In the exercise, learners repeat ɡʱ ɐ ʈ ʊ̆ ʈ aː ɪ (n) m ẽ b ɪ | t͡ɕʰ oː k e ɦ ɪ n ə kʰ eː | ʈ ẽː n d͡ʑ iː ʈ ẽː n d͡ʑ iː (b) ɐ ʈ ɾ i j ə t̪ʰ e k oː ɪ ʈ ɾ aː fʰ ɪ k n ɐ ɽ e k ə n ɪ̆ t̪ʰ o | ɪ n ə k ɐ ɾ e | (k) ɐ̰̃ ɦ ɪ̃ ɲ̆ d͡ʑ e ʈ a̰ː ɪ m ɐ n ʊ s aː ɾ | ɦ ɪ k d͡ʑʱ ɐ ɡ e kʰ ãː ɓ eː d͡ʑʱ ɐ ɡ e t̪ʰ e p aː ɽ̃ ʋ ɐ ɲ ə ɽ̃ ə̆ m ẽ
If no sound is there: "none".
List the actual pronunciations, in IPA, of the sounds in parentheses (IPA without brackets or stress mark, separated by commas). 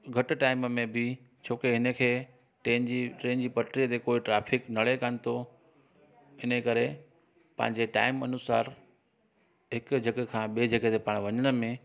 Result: m, p, p